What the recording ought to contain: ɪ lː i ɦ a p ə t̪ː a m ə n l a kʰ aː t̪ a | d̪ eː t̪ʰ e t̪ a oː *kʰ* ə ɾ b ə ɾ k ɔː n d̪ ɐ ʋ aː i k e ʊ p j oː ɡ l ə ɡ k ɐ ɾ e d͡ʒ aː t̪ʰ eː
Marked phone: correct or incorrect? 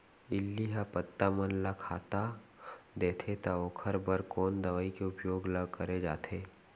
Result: correct